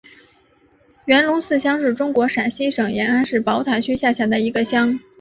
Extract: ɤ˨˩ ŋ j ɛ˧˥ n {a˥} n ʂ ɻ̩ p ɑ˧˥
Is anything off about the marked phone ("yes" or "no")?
no